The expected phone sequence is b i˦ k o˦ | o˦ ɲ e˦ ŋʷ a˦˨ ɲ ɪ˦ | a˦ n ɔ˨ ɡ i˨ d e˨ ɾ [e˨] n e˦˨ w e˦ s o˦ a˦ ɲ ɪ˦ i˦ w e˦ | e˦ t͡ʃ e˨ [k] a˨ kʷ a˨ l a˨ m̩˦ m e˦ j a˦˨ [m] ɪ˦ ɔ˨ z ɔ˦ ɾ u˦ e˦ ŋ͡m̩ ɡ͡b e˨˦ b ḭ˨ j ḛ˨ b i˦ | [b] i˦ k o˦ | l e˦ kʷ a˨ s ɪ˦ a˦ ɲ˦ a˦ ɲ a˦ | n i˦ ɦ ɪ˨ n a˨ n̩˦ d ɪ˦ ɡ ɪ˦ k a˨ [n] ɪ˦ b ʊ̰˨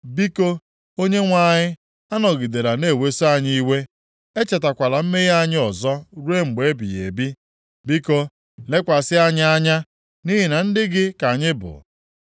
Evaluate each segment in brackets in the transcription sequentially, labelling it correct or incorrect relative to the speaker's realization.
incorrect: a˨, incorrect: t, incorrect: ɲ, correct, incorrect: ɲ

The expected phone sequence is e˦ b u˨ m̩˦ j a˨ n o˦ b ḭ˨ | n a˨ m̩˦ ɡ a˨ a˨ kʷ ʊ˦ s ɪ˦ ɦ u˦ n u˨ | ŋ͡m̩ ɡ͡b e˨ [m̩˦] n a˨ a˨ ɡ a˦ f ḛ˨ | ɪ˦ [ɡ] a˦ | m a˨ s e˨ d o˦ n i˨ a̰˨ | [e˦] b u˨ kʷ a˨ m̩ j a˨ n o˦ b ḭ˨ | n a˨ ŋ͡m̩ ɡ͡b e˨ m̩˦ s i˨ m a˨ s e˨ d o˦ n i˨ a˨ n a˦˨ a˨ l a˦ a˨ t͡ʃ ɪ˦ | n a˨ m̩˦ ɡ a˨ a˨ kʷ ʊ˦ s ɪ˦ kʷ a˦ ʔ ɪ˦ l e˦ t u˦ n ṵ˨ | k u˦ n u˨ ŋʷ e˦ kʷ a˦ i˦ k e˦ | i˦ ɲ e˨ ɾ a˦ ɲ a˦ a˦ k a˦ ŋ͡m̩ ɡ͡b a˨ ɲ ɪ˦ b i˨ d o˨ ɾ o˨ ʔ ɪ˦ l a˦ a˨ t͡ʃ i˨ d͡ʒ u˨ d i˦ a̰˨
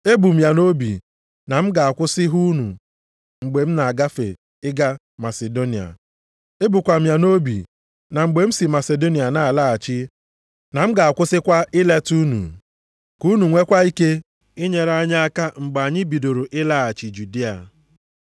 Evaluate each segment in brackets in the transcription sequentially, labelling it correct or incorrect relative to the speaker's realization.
correct, correct, correct

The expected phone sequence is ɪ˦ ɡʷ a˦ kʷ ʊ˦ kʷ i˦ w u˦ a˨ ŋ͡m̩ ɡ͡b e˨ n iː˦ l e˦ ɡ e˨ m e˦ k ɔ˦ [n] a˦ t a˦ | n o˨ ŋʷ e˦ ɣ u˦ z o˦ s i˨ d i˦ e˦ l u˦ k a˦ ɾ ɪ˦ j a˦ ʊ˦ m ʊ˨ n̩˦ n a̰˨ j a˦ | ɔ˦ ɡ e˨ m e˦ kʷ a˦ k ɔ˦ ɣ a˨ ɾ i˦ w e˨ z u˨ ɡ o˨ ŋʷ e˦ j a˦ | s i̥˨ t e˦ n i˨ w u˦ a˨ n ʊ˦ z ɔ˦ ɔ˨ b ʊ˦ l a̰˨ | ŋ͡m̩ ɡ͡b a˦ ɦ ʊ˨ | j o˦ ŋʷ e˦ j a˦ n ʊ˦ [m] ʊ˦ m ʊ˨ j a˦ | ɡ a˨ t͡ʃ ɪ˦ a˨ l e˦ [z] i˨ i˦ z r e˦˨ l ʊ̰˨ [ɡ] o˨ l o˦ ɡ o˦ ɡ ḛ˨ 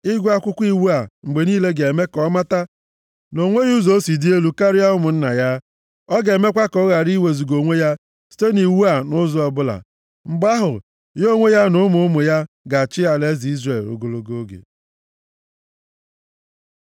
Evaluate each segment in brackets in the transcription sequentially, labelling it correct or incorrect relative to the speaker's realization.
incorrect: m, correct, correct, correct

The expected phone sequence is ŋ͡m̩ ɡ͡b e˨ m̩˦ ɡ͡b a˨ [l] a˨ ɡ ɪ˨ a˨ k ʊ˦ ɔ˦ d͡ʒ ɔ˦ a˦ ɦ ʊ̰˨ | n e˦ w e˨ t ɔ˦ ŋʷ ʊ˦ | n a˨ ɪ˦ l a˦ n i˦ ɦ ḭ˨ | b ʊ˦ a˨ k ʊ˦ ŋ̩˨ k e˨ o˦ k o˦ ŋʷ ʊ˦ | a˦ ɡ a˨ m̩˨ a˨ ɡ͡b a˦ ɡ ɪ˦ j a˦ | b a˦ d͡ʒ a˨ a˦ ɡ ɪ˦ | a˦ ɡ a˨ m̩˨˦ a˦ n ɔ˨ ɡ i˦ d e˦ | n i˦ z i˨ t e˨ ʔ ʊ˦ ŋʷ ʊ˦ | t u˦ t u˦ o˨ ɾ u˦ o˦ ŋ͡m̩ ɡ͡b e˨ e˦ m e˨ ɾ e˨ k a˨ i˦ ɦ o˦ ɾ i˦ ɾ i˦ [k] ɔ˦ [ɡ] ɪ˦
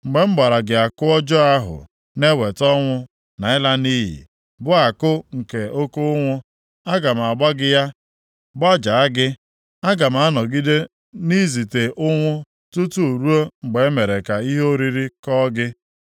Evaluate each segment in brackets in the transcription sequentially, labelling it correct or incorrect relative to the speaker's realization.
incorrect: ɾ, correct, correct

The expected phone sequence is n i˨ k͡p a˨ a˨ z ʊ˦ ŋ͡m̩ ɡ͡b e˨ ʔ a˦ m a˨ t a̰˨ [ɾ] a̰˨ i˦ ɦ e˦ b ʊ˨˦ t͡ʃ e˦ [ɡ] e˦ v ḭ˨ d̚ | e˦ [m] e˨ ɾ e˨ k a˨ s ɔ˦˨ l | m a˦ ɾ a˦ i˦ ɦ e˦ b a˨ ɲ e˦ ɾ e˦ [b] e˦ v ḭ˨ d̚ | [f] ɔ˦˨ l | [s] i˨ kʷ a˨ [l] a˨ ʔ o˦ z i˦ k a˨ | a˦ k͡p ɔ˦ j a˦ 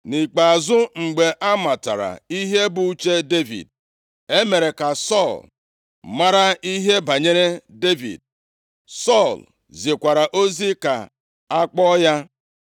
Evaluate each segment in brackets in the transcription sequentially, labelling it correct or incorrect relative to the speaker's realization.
correct, incorrect: d, correct, incorrect: d, incorrect: s, incorrect: z, incorrect: ɾ

